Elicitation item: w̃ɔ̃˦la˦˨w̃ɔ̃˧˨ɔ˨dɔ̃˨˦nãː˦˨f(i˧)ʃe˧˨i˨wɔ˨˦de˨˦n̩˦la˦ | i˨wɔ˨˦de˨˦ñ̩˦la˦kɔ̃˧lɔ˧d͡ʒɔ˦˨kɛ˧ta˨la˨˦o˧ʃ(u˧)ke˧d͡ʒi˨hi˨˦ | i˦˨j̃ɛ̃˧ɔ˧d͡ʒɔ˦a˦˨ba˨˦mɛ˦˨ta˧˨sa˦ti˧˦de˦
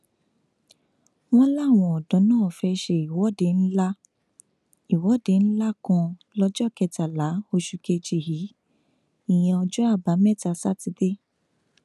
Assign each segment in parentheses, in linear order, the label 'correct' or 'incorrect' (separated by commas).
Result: incorrect, correct